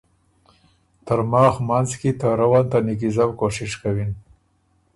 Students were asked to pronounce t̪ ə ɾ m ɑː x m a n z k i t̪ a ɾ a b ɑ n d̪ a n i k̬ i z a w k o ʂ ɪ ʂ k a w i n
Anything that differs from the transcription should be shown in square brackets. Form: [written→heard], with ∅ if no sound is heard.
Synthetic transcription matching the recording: t̪ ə ɾ m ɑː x m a n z k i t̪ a ɾ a [b→w] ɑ n [d̪→t̪] a n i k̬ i z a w k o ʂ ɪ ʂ k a w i n